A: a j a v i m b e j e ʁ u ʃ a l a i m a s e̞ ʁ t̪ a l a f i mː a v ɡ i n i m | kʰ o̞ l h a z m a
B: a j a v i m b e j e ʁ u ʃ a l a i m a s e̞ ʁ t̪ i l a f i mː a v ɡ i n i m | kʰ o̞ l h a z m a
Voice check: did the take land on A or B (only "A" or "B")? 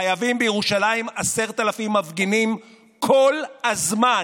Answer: A